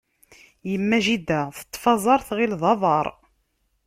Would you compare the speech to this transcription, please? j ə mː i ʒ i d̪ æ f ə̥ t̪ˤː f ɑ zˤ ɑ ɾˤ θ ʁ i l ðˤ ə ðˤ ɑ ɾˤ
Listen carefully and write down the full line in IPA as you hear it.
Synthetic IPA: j ə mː æ ʒ i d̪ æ θ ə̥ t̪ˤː f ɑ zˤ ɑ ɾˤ θ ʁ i l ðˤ ɑ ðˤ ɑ ɾˤ